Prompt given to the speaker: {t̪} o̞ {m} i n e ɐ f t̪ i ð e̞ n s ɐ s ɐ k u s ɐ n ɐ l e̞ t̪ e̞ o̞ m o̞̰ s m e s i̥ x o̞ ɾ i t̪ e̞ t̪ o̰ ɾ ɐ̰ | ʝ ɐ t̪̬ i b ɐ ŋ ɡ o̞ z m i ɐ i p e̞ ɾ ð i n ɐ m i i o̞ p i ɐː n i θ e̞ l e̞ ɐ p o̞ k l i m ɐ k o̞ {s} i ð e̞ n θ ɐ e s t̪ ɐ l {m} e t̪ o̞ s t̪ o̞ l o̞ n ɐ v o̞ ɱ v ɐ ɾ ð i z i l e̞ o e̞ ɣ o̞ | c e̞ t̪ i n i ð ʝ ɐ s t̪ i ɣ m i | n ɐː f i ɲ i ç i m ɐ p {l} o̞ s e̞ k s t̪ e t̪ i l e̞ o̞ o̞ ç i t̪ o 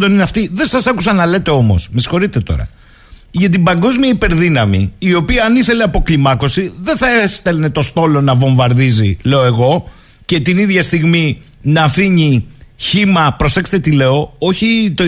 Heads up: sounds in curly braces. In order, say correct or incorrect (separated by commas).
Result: incorrect, incorrect, correct, incorrect, incorrect